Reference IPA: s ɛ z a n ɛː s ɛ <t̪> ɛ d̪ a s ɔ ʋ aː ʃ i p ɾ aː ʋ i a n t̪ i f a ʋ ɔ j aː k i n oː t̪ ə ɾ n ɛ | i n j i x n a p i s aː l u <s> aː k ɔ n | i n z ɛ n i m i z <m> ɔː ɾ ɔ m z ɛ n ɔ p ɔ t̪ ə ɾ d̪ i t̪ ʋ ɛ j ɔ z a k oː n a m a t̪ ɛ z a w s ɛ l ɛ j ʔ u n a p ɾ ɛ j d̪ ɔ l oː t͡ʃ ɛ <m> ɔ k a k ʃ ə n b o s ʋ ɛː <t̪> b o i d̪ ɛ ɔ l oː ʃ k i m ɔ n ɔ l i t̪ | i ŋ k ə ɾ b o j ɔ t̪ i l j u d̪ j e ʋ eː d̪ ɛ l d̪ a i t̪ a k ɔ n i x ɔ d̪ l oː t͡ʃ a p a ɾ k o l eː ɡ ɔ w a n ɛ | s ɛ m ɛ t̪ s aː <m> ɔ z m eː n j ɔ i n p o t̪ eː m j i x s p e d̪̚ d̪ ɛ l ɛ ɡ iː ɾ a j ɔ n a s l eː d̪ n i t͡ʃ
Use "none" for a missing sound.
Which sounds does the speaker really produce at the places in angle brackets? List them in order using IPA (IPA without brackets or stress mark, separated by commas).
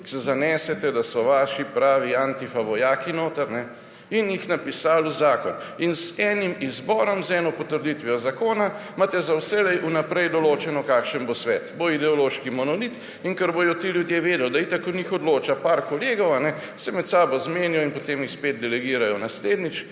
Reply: t̪, z, b, n, t̪, b